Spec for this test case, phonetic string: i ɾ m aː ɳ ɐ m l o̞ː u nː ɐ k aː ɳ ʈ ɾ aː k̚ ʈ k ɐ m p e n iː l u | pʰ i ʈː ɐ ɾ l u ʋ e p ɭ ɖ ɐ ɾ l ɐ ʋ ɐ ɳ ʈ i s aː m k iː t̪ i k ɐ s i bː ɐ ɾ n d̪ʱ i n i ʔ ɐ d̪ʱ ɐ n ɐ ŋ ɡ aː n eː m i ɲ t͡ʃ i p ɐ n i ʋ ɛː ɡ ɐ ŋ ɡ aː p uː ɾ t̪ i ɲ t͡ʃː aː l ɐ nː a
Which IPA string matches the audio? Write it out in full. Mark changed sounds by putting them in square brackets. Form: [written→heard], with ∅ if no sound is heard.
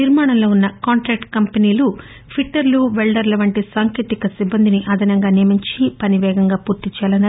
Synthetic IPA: i ɾ m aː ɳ ɐ m l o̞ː u nː ɐ k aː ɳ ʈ ɾ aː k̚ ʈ k ɐ m p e n iː l u | pʰ i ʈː ɐ ɾ l u ʋ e [p→∅] ɭ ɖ ɐ ɾ l ɐ ʋ ɐ ɳ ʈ i s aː [m→ŋ] k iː t̪ i k ɐ s i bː ɐ [ɾ→∅] n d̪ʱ i n i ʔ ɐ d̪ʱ ɐ n ɐ ŋ ɡ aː n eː m i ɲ t͡ʃ i p ɐ n i ʋ ɛː ɡ ɐ ŋ ɡ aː p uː ɾ t̪ i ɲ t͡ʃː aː l ɐ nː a